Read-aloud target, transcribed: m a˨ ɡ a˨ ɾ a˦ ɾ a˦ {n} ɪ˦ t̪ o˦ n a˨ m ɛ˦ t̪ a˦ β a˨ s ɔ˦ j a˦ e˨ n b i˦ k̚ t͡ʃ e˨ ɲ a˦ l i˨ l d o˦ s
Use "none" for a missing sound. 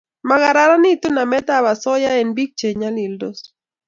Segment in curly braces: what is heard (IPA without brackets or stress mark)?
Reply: n